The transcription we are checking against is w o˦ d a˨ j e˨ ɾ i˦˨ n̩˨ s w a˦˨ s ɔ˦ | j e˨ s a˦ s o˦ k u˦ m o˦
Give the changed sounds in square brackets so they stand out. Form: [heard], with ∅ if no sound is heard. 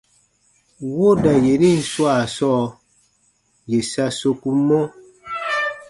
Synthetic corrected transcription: w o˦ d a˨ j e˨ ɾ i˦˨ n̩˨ s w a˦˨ s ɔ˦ | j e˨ s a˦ s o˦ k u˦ m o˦